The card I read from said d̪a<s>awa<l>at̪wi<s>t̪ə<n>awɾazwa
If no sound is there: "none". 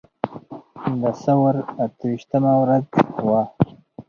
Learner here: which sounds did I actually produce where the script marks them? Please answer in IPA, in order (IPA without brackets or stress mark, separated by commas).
s, ɾ, ʃ, m